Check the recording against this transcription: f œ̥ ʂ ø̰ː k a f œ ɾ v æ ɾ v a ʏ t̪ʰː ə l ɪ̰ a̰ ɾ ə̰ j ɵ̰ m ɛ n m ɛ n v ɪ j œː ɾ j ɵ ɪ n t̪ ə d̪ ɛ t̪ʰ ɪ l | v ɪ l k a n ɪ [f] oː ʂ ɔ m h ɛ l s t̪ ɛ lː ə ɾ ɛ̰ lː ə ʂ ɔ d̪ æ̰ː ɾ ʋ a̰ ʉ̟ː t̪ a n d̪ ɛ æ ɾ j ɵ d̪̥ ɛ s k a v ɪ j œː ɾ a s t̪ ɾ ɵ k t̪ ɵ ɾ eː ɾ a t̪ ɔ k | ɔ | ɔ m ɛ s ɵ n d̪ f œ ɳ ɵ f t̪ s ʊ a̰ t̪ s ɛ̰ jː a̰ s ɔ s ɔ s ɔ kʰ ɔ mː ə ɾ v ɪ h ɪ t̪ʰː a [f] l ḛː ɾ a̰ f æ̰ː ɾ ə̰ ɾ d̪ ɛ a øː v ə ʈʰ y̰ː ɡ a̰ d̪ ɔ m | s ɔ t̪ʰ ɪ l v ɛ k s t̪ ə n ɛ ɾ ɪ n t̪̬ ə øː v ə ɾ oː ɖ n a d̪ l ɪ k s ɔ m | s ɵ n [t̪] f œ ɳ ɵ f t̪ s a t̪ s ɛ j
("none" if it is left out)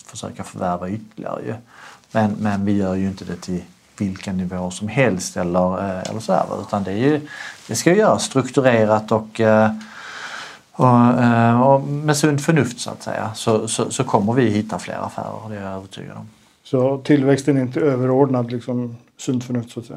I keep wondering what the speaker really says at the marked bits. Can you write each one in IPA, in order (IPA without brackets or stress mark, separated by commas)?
v, f, d̪